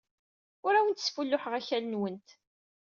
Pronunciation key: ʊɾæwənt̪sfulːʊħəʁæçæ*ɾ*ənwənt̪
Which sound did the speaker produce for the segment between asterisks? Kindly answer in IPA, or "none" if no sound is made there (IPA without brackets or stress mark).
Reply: l